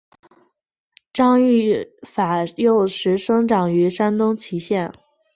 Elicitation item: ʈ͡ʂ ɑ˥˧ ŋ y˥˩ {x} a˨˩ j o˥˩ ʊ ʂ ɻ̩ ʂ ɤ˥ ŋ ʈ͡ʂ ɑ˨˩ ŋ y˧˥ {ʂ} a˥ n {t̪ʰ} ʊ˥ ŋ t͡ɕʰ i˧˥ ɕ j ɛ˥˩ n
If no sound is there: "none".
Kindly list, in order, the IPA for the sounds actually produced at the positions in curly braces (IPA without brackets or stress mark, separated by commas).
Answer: f, ʂ, t̪